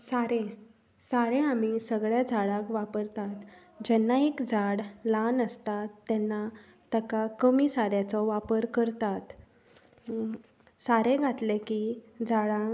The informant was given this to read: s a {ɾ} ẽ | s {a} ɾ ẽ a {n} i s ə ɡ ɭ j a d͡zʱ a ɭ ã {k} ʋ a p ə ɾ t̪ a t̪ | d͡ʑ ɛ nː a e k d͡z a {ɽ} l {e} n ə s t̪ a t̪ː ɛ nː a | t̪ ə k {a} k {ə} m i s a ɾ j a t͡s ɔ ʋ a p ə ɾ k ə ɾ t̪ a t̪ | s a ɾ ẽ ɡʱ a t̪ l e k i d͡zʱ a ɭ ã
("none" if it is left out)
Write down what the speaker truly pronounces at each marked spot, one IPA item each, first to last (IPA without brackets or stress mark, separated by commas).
ɾ, a, m, k, ɽ, a, a, ə